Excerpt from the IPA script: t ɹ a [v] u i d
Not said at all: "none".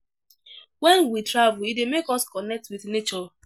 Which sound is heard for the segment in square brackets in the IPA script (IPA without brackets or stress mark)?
v